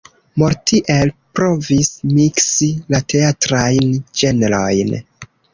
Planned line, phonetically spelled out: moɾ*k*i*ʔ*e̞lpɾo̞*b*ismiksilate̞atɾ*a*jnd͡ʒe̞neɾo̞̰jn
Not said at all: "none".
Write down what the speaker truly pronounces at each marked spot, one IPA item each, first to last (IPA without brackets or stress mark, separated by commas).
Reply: t, ʔ, v, a